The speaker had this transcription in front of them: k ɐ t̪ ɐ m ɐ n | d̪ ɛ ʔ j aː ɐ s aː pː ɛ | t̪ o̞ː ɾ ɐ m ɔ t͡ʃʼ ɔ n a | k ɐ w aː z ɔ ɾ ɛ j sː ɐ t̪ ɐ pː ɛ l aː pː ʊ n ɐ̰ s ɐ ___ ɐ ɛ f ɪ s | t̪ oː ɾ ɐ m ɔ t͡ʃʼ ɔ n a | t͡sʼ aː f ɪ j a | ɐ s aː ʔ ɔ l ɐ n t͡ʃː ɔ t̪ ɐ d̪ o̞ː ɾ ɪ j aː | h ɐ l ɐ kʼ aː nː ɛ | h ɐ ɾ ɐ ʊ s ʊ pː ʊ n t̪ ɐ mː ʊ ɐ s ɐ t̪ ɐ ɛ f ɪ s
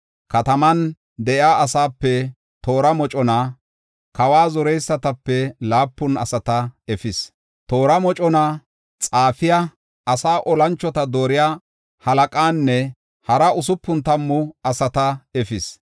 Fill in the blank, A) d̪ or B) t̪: B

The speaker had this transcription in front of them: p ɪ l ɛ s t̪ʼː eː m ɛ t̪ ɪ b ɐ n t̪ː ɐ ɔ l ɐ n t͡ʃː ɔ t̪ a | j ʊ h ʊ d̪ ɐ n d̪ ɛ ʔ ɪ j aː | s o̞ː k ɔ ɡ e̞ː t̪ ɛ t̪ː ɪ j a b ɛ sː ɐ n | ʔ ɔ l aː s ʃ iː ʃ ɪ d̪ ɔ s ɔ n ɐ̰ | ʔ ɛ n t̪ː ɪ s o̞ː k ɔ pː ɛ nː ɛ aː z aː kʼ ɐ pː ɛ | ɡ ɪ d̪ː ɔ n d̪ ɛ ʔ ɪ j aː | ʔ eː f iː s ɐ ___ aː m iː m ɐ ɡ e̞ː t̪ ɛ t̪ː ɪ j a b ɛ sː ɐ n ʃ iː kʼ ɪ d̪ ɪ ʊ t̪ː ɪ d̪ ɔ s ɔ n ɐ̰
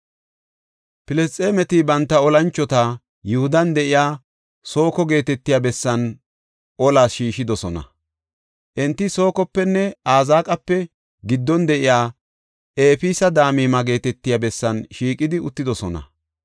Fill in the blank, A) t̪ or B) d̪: B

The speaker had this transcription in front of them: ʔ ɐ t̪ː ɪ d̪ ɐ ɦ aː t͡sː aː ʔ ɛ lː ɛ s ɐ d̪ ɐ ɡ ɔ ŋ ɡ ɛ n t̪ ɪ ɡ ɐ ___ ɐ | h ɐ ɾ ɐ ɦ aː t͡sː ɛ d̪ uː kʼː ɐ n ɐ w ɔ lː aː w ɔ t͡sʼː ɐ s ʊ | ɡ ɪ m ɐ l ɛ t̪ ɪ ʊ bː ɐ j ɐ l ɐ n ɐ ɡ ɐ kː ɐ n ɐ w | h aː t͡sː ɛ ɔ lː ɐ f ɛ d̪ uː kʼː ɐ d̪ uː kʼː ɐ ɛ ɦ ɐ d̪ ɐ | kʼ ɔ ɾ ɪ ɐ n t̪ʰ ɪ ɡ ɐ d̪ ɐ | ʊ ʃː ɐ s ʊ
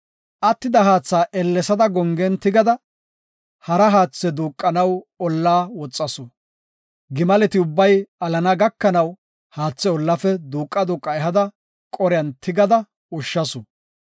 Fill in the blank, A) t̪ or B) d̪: B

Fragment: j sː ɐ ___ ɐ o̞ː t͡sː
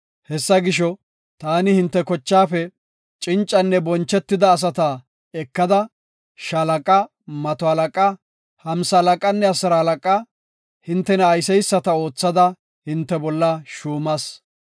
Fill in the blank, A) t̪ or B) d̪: A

